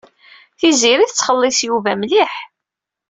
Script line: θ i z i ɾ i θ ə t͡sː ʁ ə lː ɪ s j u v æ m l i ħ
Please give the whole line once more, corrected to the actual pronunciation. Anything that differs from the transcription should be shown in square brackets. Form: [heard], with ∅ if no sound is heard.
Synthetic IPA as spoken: θ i z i ɾ i θ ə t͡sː [χ] ə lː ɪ s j u v æ m l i ħ